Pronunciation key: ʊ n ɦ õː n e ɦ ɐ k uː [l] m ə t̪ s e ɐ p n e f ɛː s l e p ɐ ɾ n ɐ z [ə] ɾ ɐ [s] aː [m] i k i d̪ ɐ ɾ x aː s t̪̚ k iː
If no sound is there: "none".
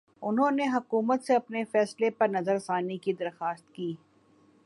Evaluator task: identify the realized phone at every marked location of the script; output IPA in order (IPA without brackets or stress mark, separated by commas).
none, ə, s, n